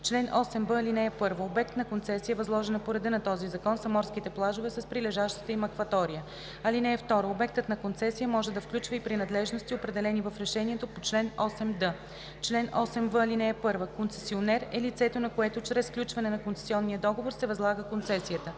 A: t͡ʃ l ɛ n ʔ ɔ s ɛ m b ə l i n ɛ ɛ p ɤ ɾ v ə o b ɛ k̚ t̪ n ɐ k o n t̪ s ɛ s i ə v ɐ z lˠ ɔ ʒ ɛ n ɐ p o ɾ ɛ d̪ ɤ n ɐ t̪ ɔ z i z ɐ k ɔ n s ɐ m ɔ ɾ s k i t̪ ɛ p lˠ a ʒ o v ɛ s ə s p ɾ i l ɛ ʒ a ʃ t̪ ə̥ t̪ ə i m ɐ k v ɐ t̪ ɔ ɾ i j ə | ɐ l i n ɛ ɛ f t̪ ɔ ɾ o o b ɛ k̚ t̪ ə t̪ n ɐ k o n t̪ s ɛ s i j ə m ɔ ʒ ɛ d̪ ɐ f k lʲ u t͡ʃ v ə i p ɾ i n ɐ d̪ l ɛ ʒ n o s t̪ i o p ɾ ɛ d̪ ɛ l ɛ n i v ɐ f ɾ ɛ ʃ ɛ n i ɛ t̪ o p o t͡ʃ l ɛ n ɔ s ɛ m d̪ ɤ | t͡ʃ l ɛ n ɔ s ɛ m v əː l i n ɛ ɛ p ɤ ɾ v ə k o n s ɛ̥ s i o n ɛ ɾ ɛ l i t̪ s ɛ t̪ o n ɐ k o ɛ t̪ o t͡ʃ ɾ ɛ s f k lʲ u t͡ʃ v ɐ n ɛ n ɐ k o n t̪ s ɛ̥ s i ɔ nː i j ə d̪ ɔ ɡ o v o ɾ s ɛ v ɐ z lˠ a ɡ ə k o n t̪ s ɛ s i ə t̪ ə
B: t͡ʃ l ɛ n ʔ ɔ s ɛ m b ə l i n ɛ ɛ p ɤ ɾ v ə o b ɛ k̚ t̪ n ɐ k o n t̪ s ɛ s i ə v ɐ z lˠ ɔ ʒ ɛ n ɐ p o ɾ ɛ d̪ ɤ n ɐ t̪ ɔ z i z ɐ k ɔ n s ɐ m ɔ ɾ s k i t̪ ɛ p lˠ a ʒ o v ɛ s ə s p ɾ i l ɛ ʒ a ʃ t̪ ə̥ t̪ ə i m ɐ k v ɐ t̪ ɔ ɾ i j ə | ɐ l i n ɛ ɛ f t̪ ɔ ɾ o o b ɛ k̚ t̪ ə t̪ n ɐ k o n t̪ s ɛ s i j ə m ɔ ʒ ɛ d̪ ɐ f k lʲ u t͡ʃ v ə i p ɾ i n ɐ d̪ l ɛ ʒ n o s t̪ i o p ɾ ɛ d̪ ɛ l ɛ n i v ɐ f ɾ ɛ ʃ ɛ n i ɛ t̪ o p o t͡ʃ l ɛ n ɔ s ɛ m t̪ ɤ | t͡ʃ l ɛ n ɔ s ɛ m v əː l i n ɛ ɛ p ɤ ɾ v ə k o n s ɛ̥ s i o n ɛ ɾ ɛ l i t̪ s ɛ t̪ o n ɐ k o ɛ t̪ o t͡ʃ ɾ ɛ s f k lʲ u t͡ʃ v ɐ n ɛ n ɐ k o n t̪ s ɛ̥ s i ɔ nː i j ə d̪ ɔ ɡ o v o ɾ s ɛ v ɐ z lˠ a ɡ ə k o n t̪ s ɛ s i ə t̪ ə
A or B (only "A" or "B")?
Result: A